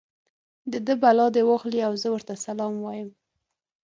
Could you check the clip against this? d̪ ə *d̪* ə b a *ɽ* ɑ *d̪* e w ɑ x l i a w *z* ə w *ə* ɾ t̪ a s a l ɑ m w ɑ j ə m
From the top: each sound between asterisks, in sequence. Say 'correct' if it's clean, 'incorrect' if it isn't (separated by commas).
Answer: correct, incorrect, correct, correct, correct